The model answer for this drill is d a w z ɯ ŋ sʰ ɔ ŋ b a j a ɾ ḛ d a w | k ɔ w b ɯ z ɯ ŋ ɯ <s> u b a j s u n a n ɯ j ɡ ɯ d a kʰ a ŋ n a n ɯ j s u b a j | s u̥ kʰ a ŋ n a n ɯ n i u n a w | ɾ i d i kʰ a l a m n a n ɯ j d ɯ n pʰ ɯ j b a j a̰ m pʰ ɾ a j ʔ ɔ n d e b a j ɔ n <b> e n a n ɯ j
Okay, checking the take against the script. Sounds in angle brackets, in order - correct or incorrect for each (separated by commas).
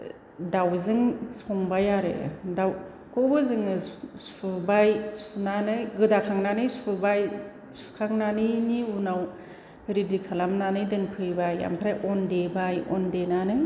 correct, incorrect